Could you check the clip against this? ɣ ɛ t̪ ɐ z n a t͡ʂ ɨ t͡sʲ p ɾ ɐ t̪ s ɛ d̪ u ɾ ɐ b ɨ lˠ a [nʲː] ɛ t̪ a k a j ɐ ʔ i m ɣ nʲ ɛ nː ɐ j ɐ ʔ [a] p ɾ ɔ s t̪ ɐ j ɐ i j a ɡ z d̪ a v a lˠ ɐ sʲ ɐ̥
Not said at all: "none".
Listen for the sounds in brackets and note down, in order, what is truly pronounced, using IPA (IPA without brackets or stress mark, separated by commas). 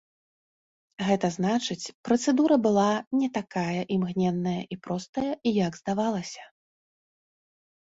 nʲ, i